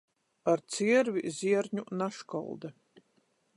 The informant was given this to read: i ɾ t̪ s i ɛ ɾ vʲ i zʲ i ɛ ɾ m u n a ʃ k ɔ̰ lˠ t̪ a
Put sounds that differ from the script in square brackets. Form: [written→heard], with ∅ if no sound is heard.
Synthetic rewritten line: [i→a] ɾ t̪ s i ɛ ɾ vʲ i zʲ i ɛ ɾ [m→ɲ] u n a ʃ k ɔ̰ lˠ [t̪→d̪] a